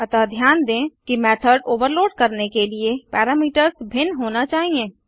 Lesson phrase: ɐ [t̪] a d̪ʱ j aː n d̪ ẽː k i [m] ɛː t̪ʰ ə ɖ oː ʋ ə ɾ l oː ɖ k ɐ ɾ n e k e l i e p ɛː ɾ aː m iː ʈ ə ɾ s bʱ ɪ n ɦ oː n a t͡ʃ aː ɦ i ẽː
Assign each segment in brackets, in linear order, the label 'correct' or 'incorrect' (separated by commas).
correct, correct